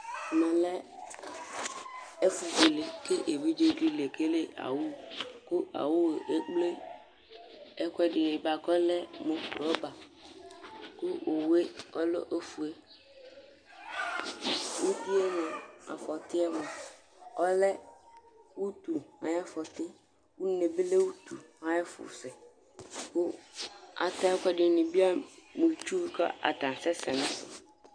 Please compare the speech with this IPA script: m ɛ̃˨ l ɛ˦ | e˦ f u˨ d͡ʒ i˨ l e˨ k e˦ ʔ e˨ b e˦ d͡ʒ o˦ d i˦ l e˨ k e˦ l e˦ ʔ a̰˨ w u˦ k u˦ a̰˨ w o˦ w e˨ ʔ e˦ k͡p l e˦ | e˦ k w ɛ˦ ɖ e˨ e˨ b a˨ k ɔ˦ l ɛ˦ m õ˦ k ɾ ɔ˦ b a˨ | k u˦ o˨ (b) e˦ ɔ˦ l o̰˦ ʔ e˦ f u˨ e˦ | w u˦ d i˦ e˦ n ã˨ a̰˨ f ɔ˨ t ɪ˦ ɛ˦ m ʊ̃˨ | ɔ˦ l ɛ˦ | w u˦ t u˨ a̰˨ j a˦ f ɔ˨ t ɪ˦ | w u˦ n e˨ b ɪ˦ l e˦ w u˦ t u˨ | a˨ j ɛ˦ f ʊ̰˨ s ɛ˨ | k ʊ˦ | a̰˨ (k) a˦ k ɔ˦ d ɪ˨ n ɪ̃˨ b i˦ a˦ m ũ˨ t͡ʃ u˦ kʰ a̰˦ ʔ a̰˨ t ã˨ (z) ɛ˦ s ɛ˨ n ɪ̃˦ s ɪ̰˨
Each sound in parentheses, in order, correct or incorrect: incorrect: w, incorrect: t, incorrect: s

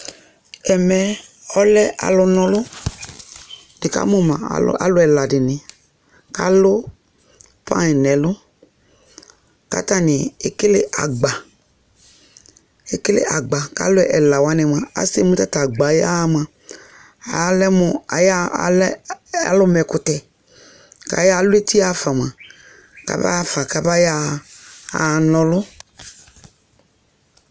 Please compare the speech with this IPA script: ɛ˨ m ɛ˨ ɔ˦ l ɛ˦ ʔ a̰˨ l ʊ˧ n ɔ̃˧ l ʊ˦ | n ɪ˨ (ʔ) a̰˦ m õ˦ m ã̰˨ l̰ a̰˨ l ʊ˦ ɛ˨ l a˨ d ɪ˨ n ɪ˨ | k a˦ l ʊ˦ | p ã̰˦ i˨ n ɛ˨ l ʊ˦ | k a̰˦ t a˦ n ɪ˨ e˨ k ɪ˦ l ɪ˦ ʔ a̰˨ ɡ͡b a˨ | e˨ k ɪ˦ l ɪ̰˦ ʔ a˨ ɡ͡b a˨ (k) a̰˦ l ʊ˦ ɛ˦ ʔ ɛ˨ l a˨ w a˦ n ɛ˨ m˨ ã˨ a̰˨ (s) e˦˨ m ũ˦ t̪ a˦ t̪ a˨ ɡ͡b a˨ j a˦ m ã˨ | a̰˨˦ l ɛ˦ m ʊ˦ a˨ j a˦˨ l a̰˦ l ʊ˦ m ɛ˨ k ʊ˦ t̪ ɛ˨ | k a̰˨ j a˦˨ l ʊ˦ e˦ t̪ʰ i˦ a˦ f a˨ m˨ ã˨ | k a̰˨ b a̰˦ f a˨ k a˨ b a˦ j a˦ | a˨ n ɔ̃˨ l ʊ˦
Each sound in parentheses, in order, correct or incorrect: incorrect: k, correct, correct

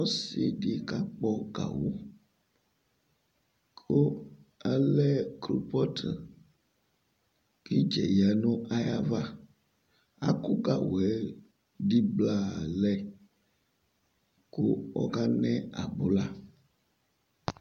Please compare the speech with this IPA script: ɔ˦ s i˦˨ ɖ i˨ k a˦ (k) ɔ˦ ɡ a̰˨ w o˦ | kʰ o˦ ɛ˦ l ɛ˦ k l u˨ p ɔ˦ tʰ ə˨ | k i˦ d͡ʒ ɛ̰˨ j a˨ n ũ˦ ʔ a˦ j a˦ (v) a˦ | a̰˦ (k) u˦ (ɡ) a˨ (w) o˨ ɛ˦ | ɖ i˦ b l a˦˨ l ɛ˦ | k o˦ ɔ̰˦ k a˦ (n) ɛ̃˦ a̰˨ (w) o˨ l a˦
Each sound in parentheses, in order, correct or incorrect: incorrect: k͡p, correct, correct, correct, correct, correct, incorrect: b

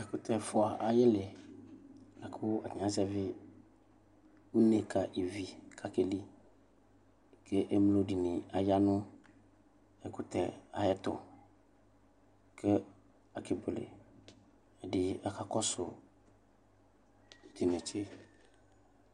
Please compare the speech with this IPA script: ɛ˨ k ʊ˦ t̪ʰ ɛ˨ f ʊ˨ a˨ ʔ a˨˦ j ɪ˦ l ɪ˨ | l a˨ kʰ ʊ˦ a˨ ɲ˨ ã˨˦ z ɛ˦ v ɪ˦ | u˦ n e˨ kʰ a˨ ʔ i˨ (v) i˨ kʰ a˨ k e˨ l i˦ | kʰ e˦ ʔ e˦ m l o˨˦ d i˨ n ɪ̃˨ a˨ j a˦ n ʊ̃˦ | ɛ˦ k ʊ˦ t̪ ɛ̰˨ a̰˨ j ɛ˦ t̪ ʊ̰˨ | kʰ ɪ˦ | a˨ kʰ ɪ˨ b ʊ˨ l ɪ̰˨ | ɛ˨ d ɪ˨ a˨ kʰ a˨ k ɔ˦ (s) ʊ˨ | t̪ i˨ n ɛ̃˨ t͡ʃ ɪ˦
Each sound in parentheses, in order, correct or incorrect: correct, correct

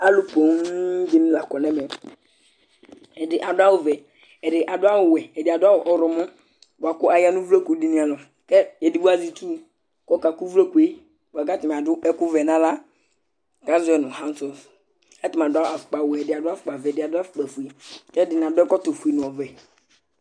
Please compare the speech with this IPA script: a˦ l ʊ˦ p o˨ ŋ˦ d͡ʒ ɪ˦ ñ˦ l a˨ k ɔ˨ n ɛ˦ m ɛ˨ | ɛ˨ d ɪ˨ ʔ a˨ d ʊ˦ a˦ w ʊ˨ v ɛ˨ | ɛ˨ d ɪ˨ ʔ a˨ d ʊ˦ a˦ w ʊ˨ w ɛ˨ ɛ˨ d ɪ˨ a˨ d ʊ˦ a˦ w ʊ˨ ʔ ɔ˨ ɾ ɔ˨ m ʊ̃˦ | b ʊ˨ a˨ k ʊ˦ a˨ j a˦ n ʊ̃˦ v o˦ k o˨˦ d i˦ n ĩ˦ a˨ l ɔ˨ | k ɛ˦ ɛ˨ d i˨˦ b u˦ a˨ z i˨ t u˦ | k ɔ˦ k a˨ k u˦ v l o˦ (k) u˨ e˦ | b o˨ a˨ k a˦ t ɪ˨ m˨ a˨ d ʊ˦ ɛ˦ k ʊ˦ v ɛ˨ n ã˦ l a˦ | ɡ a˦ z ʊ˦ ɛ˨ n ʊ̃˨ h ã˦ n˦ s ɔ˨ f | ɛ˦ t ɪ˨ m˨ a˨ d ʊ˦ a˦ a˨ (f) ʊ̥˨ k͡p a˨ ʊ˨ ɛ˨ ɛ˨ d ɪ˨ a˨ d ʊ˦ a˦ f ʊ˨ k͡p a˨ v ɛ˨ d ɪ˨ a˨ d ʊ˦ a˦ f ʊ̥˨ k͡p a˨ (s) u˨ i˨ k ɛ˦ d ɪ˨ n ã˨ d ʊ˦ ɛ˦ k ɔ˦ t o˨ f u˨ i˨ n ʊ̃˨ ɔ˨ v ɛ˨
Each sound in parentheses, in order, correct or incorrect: correct, correct, incorrect: f

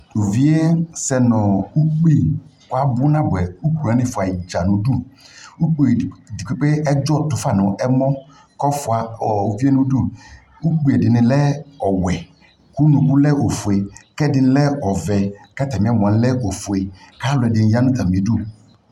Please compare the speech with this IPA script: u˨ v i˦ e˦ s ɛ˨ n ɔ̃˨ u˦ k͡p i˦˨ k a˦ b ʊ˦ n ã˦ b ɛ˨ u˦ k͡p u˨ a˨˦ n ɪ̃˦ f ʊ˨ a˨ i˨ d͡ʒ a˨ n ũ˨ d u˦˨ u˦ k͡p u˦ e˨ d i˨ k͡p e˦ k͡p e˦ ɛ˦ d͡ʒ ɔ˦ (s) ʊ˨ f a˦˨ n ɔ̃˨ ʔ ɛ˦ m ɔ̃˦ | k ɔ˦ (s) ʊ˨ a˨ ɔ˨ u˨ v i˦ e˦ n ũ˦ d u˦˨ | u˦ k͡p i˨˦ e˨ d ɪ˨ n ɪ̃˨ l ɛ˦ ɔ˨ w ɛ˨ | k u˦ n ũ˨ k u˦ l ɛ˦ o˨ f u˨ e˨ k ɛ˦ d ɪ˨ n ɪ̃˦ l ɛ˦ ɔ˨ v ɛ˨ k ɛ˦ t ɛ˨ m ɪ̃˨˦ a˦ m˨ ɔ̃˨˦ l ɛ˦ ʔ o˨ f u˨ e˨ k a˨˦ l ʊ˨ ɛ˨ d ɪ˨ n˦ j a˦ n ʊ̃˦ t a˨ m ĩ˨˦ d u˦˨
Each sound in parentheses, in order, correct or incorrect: incorrect: t, incorrect: f

